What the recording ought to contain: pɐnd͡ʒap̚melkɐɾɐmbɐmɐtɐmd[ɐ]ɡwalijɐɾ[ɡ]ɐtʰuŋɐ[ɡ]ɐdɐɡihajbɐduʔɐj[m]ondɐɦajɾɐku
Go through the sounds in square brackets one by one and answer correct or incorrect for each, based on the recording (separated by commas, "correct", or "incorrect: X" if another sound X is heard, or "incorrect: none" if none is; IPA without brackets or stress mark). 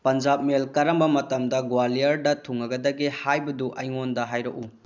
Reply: correct, incorrect: d, correct, incorrect: ŋ